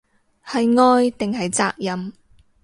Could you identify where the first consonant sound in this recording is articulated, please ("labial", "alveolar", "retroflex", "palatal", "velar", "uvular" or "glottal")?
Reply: glottal